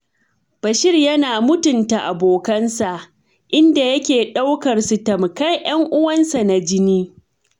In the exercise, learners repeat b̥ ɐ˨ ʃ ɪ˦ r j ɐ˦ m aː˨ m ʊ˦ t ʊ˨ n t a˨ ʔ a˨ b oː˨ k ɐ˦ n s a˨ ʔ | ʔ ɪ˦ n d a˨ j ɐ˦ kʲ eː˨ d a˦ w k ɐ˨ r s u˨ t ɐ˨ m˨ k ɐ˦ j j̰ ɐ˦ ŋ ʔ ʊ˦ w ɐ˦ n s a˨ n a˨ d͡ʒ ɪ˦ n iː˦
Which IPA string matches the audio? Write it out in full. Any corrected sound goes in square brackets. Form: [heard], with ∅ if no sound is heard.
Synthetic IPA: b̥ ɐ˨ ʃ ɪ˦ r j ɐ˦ [n] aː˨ m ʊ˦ t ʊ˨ n t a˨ ʔ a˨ b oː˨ k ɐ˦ n s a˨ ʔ | ʔ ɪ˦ n d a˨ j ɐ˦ kʲ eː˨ [ɗ] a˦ w k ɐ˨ r s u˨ t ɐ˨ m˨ k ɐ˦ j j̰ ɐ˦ ŋ ʔ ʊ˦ w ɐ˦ n s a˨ n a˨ d͡ʒ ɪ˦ n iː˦